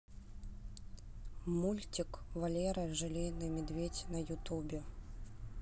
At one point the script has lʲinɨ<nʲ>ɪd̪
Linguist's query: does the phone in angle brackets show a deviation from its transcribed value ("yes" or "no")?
yes